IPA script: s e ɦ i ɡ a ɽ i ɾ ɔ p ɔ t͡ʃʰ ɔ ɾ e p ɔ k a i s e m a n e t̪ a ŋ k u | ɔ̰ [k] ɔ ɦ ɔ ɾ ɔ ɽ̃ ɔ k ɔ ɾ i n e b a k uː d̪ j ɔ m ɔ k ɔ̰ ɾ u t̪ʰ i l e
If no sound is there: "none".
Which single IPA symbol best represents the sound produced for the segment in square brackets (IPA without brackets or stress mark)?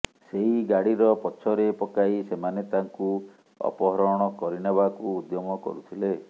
p